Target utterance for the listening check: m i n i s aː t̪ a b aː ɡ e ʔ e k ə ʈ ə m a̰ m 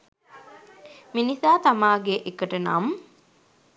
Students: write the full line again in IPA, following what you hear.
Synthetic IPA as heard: m i n i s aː t̪ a m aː ɡ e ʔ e k ə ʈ ə n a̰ m